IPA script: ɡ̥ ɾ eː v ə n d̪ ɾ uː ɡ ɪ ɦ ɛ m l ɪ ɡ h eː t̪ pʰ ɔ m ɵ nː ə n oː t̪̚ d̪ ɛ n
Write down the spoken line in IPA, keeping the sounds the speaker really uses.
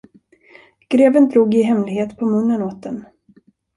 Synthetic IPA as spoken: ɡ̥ ɾ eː v ə n d̪ ɾ uː ɡ ɪ ɦ ɛ m l ɪ ɡ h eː t̪ pʰ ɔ m ɵ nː ə n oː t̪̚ d̪ ɛ n